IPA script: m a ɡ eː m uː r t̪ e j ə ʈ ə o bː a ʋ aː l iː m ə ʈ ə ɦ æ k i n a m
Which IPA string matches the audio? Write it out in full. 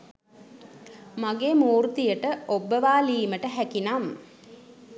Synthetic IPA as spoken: m a ɡ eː m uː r t̪ i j ə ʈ ə o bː ə ʋ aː l iː m ə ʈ ə ɦ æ k i n a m

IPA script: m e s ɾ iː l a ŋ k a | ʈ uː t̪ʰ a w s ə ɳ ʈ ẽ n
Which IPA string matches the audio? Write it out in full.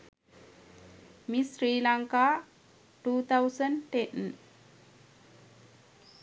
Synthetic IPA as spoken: m i s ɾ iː l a ŋ k a | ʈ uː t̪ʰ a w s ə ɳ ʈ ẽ n

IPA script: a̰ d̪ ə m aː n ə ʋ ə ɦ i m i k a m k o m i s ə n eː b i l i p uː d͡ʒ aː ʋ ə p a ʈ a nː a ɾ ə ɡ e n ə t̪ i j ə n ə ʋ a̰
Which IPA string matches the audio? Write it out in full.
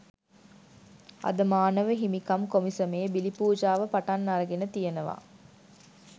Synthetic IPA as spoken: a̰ d̪ ə m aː n ə ʋ ə ɦ i m i k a m k o m i s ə m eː b i l i p uː d͡ʒ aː ʋ ə p a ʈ a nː a ɾ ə ɡ e n ə t̪ i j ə n ə ʋ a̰

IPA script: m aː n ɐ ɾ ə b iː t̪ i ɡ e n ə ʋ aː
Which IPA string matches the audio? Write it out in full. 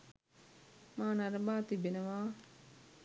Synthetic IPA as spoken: m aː n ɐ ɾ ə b aː t̪ i b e n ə ʋ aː

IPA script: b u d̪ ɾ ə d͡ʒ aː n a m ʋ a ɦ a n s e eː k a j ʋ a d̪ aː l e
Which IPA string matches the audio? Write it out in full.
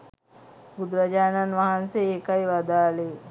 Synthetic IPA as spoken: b u d̪ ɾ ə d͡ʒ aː n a n ʋ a ɦ a n s e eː k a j ʋ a d̪ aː l e

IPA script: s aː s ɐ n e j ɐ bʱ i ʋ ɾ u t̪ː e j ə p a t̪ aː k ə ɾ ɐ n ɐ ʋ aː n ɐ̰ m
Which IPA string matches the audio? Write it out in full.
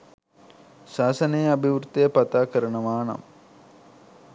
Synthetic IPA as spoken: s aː s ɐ n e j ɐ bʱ i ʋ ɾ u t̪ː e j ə p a t̪ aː k ə ɾ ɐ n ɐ ʋ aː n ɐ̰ m

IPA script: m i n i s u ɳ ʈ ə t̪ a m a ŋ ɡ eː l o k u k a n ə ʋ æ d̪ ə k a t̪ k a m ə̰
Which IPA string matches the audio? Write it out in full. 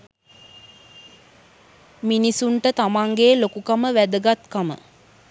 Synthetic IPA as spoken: m i n i s u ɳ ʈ ə t̪ a m a ŋ ɡ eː l o k u k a m ə ʋ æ d̪ ə ɡ a t̪ k a m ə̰

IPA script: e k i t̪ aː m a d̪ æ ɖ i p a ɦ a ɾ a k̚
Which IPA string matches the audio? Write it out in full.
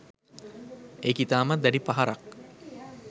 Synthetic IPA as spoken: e k i t̪ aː m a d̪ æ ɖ i p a ɦ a ɾ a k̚

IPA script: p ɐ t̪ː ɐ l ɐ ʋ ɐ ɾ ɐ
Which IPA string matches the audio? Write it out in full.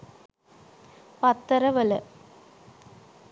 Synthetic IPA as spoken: p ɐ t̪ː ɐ ɾ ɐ ʋ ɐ l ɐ

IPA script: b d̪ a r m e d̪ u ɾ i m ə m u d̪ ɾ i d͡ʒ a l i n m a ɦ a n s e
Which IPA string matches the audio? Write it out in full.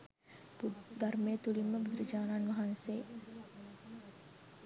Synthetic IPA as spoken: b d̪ a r m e t̪ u l i m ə b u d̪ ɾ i d͡ʒ a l a n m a ɦ a n s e

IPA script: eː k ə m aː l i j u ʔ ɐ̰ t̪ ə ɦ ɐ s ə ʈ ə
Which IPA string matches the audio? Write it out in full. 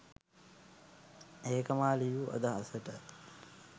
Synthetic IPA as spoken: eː k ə m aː l i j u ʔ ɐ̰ d̪ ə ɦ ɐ s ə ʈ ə

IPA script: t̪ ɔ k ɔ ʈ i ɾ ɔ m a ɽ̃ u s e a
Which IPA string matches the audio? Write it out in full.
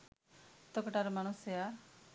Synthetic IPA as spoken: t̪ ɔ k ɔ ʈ a ɾ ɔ m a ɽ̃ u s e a

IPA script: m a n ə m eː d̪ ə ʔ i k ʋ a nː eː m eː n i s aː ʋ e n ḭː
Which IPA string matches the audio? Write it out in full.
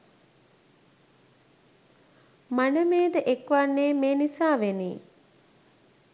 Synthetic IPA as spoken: m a n ə m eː d̪ ə ʔ e k ʋ a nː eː m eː n i s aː ʋ e n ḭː

